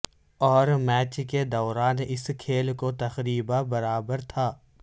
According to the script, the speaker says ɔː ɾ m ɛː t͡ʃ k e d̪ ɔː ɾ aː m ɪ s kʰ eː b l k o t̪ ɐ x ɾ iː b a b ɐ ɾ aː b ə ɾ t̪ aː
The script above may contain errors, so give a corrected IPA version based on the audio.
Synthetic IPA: ɔː ɾ m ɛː t͡ʃ k e d̪ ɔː ɾ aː n ɪ s kʰ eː l k o t̪ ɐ x ɾ iː b a b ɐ ɾ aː b ə ɾ t̪ʰ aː